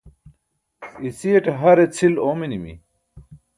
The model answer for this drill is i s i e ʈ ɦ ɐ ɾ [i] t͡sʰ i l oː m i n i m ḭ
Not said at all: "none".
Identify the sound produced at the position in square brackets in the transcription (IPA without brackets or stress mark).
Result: e